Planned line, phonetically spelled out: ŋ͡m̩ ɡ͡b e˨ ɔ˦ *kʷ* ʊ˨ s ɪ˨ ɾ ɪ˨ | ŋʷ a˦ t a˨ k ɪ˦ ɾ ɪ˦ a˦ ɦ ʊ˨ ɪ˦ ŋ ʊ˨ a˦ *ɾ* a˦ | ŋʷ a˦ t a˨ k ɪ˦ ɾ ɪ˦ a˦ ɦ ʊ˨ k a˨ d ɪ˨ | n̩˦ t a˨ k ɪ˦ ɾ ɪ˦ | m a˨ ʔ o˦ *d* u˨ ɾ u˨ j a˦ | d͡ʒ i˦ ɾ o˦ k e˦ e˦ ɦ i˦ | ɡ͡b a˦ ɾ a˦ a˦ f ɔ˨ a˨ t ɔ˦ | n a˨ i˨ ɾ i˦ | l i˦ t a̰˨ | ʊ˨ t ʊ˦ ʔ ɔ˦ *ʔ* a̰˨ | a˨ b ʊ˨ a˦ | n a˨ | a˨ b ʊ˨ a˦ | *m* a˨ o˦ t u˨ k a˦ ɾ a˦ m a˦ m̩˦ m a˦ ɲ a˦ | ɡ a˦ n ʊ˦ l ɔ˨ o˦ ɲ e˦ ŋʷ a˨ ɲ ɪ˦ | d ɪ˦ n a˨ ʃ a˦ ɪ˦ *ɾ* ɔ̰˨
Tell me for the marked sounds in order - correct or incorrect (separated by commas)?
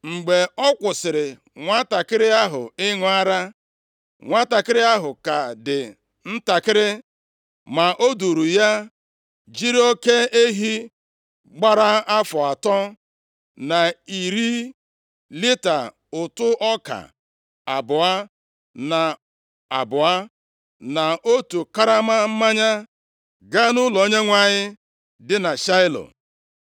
correct, correct, correct, incorrect, incorrect, incorrect